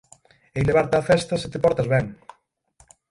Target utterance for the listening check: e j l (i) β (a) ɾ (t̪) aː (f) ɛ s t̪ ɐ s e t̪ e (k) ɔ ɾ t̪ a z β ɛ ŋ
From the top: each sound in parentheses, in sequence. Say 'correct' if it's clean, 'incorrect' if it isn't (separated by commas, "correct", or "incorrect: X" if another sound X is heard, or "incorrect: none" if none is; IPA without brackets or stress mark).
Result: incorrect: e, correct, correct, correct, incorrect: p